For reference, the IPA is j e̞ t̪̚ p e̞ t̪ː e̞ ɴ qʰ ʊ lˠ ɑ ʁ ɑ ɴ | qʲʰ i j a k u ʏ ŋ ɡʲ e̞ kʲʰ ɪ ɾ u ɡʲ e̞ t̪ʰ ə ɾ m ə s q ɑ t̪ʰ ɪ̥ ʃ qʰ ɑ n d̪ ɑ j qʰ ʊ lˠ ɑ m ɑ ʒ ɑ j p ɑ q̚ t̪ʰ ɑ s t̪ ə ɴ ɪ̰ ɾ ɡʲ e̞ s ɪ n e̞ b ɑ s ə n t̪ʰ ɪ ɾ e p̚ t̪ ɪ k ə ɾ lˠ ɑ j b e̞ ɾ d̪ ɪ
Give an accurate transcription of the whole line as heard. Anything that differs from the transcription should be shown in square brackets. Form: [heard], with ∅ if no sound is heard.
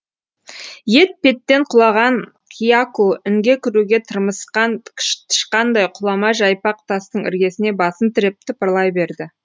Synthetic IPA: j e̞ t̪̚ p e̞ t̪ː e̞ ɴ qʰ ʊ lˠ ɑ ʁ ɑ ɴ | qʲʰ i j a k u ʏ ŋ ɡʲ e̞ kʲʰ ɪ ɾ u ɡʲ e̞ t̪ʰ ə ɾ m ə s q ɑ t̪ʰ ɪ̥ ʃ [q] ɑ n d̪ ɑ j qʰ ʊ lˠ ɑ m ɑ ʒ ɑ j p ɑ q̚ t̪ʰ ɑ s t̪ ə ɴ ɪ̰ ɾ ɡʲ e̞ s ɪ n e̞ b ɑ s ə n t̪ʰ ɪ ɾ e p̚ t̪ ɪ [p] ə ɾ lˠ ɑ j b e̞ ɾ d̪ ɪ

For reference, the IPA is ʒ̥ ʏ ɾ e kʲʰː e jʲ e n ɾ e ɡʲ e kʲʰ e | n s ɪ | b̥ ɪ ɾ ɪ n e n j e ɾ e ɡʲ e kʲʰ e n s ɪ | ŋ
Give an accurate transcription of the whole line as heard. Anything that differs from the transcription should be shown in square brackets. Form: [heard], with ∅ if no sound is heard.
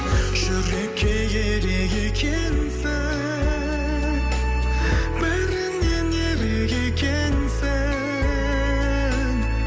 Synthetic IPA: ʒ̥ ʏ ɾ e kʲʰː e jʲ e [∅] ɾ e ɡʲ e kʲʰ e | n s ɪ | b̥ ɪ ɾ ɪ n e n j e ɾ e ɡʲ e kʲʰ e n s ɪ | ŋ

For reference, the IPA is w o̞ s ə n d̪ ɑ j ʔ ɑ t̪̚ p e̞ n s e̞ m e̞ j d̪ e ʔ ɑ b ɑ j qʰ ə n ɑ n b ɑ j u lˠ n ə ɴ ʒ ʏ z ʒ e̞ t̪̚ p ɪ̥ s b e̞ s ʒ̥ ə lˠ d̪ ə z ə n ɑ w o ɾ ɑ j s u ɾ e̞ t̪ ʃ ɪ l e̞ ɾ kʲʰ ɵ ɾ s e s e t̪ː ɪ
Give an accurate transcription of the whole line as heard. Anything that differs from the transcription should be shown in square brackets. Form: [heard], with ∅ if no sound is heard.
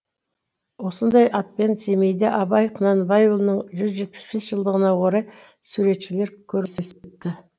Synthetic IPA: w o̞ s ə n d̪ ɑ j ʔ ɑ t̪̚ p e̞ n s e̞ m e̞ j d̪ e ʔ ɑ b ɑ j qʰ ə n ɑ n b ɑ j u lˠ n ə ɴ ʒ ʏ z ʒ e̞ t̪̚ p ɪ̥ s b e̞ s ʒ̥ ə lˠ d̪ ə [ʁ] ə n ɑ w o ɾ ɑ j s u ɾ e̞ t̪ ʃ ɪ l e̞ ɾ kʲʰ ɵ ɾ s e s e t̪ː ɪ

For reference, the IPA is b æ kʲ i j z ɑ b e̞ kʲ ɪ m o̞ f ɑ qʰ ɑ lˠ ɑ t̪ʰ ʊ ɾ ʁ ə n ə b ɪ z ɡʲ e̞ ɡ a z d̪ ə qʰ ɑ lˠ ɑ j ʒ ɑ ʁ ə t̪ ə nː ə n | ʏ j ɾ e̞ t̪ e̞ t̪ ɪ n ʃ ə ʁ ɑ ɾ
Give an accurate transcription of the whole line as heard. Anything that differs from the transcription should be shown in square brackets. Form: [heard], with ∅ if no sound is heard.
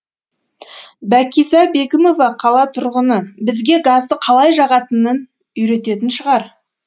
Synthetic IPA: b æ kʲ i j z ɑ b e̞ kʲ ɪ m o̞ [v] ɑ qʰ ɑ lˠ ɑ t̪ʰ ʊ ɾ ʁ ə n ə b ɪ z ɡʲ e̞ ɡ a z d̪ ə qʰ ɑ lˠ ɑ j ʒ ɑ ʁ [ɑ] t̪ ə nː ə n | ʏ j ɾ e̞ t̪ e̞ t̪ ɪ n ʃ ə ʁ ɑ ɾ

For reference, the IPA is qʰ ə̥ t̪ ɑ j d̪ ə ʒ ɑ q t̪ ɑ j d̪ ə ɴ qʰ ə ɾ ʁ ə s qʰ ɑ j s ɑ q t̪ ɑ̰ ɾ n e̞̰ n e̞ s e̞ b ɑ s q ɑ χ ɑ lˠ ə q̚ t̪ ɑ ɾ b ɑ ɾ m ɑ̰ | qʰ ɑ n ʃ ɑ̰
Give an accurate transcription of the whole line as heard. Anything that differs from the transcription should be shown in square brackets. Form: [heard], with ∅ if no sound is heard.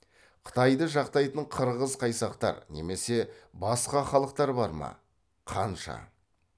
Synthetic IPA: qʰ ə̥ t̪ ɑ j d̪ ə ʒ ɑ q t̪ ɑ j [t̪] ə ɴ qʰ ə ɾ ʁ ə [z] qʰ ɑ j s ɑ q t̪ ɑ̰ ɾ n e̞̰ [m] e̞ s e̞ b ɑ s q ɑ χ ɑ lˠ ə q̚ t̪ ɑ ɾ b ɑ ɾ m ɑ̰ | qʰ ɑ n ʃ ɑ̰

